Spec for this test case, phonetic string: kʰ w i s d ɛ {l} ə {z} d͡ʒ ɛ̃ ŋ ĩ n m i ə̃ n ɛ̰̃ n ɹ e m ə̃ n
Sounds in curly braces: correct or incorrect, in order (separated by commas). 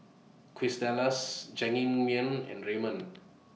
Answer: correct, incorrect